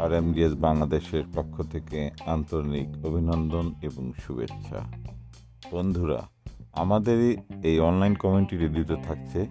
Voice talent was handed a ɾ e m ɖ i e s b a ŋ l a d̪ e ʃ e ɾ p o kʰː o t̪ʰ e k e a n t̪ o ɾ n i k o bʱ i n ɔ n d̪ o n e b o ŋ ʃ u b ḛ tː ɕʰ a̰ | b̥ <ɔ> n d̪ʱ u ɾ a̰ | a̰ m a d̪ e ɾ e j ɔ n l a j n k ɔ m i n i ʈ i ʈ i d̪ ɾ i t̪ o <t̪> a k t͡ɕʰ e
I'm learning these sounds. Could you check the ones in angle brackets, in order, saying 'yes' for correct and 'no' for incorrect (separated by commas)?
no, no